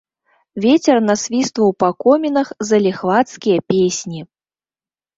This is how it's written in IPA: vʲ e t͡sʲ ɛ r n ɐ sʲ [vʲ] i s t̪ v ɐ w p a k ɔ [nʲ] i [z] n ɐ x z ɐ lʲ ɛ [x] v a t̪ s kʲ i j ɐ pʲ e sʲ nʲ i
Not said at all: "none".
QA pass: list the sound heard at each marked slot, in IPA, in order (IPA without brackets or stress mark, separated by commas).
vʲ, mʲ, none, x